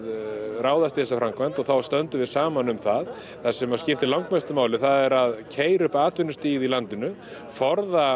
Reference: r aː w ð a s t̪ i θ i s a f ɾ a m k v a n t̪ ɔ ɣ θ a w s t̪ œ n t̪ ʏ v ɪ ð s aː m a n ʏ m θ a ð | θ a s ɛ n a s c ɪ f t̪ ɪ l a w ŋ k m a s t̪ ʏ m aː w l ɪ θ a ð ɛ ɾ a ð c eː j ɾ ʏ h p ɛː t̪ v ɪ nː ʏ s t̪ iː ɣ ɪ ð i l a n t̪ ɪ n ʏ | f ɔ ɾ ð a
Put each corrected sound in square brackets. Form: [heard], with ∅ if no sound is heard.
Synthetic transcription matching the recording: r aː w ð a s t̪ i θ [ɛ] s a f ɾ a m k v a n t̪ ɔ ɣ θ a w s t̪ œ n t̪ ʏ v ɪ ð s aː m a n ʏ m θ a ð | θ a s ɛ [m] a s c ɪ f t̪ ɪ l a w ŋ k m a s t̪ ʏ m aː w l ɪ θ a ð ɛ ɾ a ð [cʰ] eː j ɾ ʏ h p [aː] t̪ v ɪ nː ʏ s t̪ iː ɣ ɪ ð i l a n t̪ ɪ n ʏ | f ɔ ɾ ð a

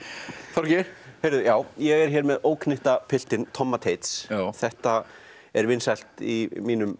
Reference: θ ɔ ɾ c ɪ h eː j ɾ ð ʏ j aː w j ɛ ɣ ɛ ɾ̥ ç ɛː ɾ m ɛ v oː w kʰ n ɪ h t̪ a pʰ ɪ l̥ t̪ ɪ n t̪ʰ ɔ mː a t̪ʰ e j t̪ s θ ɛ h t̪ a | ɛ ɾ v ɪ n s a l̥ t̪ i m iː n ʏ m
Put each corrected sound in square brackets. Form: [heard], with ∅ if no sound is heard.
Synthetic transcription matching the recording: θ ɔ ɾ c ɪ h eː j ɾ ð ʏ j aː w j ɛ ɣ ɛ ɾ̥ ç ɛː ɾ m ɛ [ð] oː w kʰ n ɪ h t̪ a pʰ ɪ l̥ t̪ ɪ n t̪ʰ ɔ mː a t̪ʰ e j t̪ s θ ɛ h t̪ a | ɛ ɾ v ɪ n s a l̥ t̪ i m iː n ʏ m

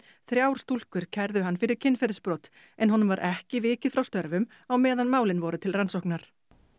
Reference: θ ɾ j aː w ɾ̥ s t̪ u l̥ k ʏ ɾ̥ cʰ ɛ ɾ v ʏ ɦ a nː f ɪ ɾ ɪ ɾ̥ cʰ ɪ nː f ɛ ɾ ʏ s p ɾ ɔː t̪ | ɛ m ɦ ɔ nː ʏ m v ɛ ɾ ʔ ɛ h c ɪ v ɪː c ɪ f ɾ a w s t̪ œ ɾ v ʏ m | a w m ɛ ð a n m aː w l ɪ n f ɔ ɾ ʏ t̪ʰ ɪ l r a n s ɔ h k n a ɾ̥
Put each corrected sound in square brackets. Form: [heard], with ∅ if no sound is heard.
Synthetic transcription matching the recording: θ ɾ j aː w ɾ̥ s t̪ u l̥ k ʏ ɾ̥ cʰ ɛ ɾ [ð] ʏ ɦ a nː f ɪ ɾ ɪ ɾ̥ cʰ ɪ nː f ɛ ɾ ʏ s p ɾ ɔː t̪ | ɛ [n] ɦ ɔ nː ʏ m v [a] ɾ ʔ ɛ h c ɪ v ɪː c ɪ f ɾ a w s t̪ œ ɾ v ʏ m | a w m [ɛː] ð a n m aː w l ɪ n [v] ɔ ɾ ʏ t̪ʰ ɪ l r a n s ɔ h k n a ɾ̥

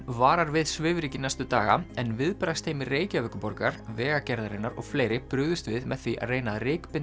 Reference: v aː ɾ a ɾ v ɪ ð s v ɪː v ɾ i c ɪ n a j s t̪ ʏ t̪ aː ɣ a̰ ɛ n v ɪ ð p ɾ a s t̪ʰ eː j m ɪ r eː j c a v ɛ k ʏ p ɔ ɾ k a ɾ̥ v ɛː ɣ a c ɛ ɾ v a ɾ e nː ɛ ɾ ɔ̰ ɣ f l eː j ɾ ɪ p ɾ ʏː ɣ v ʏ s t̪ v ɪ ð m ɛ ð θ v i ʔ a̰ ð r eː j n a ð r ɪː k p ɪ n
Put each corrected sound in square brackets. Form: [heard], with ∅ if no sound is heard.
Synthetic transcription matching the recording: v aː ɾ a ɾ v ɪ ð s v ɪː v ɾ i c ɪ n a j s t̪ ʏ t̪ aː ɣ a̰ ɛ n v ɪ ð p ɾ a s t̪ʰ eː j m ɪ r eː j c a v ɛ k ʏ p ɔ ɾ k a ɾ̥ v ɛː ɣ a c ɛ ɾ [ð] a ɾ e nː [a] ɾ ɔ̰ ɣ f l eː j ɾ ɪ p ɾ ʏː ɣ [ð] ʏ s t̪ v ɪ ð m ɛ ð θ v i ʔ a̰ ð r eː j n a ð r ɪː k p ɪ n

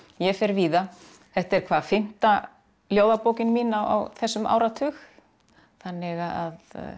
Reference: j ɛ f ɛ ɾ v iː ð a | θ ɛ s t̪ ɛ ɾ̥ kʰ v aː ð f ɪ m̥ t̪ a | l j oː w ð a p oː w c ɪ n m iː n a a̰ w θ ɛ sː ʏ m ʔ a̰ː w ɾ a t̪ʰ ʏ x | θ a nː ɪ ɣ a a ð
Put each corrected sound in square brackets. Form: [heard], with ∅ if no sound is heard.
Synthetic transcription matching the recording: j ɛ f ɛ ɾ v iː ð a | θ ɛ [h] t̪ ɛ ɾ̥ kʰ v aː ð f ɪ m̥ t̪ a | l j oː w ð a p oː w c ɪ n m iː n a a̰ w θ ɛ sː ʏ m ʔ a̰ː w ɾ a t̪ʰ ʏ x | θ a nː ɪ ɣ a a ð

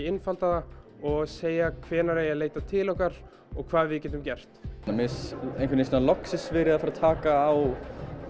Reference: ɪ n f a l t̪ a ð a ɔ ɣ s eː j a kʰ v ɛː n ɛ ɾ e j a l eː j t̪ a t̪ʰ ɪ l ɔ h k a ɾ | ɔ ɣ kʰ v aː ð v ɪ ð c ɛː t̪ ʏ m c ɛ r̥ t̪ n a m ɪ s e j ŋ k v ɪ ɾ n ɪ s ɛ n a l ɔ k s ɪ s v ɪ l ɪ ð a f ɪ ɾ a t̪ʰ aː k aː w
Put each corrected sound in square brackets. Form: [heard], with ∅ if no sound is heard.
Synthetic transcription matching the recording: ɪ n f a l t̪ a ð a ɔ ɣ s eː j a kʰ v ɛː n [a] ɾ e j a l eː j t̪ a t̪ʰ ɪ l ɔ h k a ɾ | ɔ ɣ kʰ v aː ð v ɪ ð c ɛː t̪ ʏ m c ɛ r̥ t̪ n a m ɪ s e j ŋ k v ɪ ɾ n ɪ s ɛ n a l ɔ k s ɪ s v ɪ [ɾ] ɪ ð a f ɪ ɾ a t̪ʰ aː k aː w

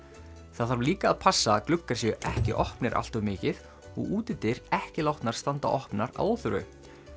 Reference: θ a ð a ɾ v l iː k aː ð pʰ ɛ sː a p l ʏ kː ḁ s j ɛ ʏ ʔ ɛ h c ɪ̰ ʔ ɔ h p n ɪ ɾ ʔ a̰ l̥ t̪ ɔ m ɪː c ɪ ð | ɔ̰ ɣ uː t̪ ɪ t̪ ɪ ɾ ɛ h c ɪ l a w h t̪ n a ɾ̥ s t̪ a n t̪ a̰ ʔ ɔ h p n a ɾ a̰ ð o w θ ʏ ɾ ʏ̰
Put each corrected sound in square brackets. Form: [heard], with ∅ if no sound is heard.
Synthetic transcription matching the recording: θ a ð a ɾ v l iː k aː ð pʰ [a] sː a [k] l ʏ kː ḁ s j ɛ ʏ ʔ ɛ h c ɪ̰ ʔ ɔ h p n ɪ ɾ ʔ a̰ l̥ t̪ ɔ m ɪː c ɪ ð | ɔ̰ ɣ uː t̪ ɪ t̪ ɪ ɾ ɛ h c ɪ l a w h t̪ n a ɾ̥ s t̪ a n t̪ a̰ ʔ ɔ h p n a ɾ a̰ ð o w θ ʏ ɾ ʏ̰

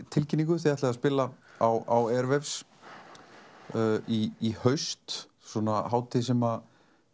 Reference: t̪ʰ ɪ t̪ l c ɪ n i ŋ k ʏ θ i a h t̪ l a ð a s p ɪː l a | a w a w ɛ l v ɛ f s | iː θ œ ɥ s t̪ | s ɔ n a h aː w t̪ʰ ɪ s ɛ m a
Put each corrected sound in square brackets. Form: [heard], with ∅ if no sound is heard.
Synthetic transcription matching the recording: t̪ʰ ɪ [∅] l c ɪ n i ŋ k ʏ θ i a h t̪ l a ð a s p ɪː l a | a w a w ɛ [ɾ] v ɛ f s | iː [h] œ ɥ s t̪ | s ɔ n a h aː w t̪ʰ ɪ s ɛ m a

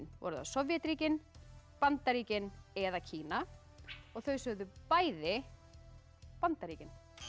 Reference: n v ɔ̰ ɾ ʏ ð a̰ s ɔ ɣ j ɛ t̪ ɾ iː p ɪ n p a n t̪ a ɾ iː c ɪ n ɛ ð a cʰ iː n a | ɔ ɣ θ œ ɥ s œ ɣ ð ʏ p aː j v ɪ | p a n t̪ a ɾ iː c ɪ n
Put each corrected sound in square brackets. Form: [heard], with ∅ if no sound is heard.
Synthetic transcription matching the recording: n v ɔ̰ ɾ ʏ ð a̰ s ɔ [v] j ɛ t̪ ɾ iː [c] ɪ n p a n t̪ a ɾ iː c ɪ n ɛ ð a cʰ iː n a | ɔ ɣ θ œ ɥ s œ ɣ ð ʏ p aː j [ð] ɪ | p a n t̪ a ɾ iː c ɪ n

